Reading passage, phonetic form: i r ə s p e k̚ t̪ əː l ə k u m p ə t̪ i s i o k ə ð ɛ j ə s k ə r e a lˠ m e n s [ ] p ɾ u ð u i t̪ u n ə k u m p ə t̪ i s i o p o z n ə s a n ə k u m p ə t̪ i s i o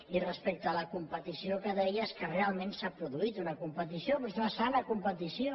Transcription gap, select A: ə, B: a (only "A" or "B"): B